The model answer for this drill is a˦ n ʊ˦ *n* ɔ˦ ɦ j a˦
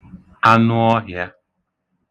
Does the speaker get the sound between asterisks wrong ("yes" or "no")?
yes